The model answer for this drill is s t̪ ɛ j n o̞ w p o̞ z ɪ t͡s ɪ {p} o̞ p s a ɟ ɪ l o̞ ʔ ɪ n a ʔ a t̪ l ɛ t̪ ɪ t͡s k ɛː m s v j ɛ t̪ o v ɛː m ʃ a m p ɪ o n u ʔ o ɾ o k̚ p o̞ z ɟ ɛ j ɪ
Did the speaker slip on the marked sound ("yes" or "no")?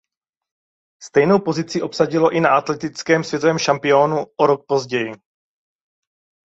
yes